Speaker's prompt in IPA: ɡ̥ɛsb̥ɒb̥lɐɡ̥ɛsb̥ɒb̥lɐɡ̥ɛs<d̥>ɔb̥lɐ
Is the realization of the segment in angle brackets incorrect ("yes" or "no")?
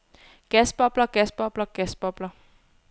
yes